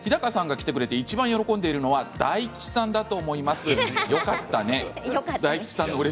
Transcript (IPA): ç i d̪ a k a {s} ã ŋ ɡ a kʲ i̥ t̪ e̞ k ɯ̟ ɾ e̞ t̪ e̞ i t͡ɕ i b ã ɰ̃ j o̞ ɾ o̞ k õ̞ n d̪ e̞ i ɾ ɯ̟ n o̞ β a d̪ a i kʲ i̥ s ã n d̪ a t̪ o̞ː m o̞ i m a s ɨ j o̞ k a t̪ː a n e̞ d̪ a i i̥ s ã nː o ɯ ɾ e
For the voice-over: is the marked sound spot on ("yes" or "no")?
yes